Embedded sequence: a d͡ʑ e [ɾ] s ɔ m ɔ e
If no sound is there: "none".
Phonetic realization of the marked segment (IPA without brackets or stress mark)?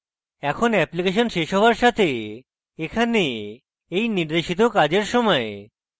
ɾ